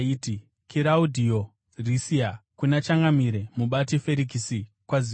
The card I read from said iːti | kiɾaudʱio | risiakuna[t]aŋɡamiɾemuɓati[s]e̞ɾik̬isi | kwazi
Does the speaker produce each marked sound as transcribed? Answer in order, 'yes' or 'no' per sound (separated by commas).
no, no